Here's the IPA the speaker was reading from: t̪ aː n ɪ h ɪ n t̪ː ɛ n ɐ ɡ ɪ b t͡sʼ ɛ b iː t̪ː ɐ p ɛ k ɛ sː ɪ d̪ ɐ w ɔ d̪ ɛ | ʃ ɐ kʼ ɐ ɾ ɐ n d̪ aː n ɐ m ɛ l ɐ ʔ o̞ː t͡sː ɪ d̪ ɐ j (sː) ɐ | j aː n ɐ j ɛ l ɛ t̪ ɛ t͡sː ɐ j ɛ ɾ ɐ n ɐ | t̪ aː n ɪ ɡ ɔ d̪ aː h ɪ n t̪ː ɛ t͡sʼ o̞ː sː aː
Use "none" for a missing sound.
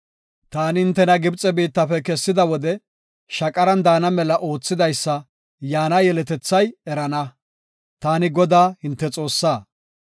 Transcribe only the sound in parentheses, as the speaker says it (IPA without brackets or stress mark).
sː